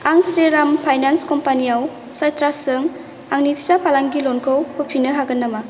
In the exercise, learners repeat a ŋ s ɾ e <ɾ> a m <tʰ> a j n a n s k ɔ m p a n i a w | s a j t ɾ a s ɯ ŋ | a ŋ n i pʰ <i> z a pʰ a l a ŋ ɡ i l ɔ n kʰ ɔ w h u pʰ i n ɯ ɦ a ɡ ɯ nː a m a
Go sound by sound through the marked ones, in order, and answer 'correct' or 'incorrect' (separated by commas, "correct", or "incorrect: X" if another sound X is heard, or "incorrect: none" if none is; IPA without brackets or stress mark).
correct, incorrect: pʰ, correct